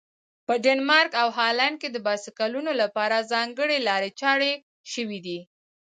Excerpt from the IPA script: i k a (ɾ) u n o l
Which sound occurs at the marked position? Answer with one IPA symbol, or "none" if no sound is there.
l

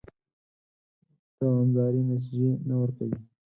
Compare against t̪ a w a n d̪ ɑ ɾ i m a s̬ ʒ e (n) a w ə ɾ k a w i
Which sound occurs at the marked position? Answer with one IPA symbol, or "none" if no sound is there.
n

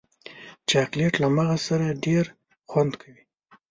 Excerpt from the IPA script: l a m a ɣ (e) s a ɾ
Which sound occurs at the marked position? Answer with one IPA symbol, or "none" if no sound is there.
a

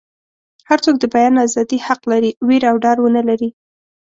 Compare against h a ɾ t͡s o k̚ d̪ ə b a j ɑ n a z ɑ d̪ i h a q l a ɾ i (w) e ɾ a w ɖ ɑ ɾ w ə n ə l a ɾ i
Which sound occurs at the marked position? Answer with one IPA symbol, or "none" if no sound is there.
w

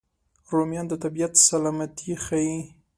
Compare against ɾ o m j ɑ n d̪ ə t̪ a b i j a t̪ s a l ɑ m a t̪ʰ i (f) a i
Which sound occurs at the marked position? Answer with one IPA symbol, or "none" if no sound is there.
x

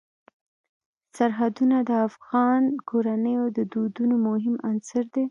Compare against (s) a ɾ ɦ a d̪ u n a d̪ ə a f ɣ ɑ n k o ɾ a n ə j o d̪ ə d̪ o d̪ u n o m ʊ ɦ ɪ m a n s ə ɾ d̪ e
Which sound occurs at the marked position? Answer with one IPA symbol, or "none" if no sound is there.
s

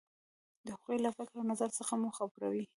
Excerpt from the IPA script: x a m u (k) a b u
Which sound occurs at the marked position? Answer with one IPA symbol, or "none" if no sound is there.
x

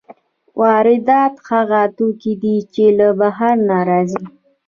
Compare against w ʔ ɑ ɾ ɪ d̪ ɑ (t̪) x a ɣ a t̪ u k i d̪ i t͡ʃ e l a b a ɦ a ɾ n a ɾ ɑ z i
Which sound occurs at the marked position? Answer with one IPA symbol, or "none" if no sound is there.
t̪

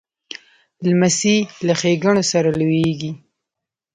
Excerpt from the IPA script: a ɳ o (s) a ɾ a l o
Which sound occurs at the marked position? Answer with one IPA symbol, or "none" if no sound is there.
s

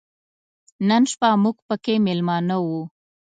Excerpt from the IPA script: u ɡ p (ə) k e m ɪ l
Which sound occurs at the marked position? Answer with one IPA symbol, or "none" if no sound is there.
ə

